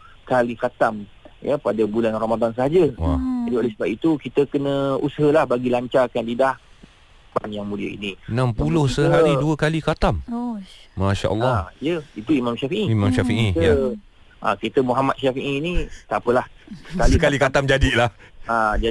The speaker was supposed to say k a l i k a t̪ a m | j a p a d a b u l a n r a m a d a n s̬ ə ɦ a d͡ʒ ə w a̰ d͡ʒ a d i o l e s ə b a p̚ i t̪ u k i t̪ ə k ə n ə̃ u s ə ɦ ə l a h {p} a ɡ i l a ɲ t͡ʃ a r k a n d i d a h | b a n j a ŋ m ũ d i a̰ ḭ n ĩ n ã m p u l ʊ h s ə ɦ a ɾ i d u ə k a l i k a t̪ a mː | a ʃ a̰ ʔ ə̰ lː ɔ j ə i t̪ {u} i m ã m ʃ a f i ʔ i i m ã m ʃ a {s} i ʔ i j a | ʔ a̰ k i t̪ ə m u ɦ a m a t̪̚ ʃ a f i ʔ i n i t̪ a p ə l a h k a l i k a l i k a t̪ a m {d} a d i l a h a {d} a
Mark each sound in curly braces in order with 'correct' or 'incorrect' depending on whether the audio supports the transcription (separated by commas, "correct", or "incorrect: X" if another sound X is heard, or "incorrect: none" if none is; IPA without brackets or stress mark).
incorrect: b, correct, incorrect: f, incorrect: d͡ʒ, incorrect: d͡ʒ